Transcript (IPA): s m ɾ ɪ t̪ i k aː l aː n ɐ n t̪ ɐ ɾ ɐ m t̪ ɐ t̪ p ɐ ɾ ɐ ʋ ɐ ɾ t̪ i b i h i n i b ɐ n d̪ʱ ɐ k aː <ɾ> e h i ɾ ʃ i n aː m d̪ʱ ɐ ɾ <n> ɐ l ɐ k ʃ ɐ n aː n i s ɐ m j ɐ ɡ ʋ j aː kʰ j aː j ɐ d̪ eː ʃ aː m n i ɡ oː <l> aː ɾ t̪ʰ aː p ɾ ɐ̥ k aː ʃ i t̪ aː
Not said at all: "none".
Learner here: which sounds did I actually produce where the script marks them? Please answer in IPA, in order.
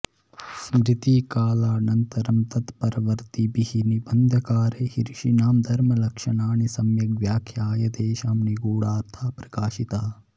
ɾ, m, ɽ

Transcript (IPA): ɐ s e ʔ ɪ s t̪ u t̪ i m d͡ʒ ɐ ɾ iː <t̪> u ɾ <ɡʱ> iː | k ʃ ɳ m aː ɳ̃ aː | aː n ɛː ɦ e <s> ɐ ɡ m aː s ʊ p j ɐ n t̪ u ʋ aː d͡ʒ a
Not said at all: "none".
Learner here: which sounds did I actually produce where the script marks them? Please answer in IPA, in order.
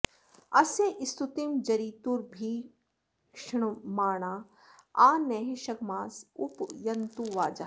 t̪, bʱ, ʃ

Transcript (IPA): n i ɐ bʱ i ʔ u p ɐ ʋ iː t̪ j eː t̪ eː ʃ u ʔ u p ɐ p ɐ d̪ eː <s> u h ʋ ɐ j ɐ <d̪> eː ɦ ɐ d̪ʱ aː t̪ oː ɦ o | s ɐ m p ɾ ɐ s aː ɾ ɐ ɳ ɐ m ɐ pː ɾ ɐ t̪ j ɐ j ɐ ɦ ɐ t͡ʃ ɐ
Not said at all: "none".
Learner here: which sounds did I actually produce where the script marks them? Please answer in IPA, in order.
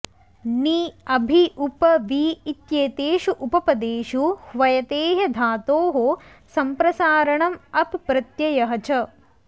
ʃ, t̪

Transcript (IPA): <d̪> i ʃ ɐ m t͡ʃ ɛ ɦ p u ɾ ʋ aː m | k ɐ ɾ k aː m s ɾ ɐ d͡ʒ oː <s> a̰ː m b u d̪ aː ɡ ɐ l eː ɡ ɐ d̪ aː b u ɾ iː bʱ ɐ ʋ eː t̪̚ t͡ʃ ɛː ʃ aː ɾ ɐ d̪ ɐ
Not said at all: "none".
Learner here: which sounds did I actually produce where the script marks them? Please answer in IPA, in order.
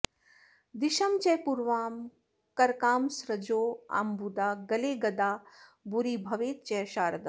d̪, none

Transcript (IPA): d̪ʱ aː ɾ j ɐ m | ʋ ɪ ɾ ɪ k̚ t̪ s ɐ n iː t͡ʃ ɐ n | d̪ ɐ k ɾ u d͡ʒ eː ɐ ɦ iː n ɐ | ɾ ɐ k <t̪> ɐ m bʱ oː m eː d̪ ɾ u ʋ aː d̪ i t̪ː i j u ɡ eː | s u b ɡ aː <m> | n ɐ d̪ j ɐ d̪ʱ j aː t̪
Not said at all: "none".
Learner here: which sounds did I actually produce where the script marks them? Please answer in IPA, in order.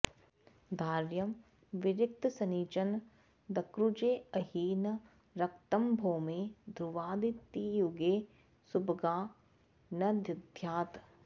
t̪, none

